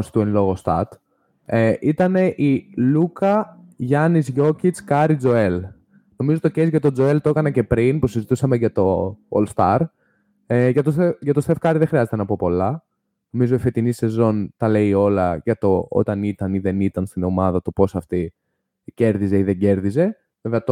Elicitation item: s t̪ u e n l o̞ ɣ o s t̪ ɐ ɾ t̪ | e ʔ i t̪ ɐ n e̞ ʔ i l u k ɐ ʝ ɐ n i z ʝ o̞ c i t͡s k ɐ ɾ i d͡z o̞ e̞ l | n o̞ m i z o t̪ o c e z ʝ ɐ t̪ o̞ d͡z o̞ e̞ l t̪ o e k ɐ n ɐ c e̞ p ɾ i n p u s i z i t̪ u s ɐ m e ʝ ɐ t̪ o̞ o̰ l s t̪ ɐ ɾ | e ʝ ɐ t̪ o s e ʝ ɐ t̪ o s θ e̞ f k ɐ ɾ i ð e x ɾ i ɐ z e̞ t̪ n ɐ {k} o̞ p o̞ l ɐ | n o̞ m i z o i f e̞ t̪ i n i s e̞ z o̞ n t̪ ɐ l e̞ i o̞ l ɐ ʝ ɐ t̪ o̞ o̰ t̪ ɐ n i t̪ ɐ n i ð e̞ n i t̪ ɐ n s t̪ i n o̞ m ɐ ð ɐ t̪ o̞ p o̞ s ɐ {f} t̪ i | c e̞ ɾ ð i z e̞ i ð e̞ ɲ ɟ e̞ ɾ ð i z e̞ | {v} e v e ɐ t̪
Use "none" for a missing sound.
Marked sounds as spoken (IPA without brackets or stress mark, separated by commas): p, f, v